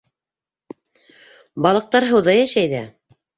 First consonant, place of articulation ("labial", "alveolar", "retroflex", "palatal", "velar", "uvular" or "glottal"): labial